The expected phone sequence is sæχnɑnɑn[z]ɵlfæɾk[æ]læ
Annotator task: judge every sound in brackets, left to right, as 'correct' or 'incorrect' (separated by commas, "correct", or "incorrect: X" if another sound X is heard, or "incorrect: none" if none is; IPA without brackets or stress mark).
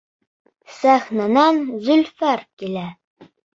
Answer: correct, incorrect: i